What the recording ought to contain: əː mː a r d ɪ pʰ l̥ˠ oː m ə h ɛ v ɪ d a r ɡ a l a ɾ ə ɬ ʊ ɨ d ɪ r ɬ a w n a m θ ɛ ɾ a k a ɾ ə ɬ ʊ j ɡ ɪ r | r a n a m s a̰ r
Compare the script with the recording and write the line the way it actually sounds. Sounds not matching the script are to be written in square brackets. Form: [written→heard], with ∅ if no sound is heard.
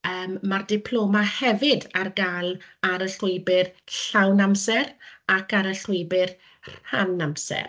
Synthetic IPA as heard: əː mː a r d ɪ pʰ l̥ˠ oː m [ə→a] h ɛ v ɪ d a r ɡ a l a ɾ ə ɬ ʊ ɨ [d→b] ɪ r ɬ a w n a m [θ→s] ɛ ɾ a k a ɾ ə ɬ ʊ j [ɡ→b] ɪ r | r a n a m s [a̰→ɛ̰] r